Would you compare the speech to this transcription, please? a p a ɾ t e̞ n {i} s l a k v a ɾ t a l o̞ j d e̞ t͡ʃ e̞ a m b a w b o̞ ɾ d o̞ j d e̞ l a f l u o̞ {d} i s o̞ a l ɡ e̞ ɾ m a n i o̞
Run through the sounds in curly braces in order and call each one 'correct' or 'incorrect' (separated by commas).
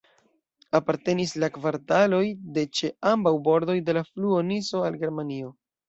correct, incorrect